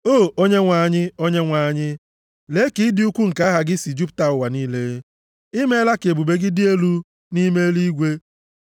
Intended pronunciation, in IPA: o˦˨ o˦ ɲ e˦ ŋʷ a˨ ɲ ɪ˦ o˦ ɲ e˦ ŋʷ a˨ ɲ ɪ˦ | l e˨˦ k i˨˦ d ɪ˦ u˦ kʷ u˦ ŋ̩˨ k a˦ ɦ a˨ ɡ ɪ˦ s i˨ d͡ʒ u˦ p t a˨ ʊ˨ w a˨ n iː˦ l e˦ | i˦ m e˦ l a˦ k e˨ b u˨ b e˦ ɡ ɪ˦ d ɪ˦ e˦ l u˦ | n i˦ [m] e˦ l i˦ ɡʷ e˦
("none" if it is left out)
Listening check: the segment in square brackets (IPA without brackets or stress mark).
m